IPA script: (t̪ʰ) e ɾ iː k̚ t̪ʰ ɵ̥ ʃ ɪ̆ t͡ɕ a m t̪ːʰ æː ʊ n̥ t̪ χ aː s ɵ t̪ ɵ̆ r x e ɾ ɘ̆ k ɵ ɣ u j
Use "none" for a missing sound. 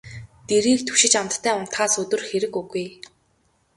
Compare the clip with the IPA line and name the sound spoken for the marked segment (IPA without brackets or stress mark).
t̪